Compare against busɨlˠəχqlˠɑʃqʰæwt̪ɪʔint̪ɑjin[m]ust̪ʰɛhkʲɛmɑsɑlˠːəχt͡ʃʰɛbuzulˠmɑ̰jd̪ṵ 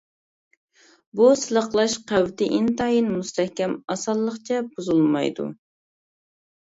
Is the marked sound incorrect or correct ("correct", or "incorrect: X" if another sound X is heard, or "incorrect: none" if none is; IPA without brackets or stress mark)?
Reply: correct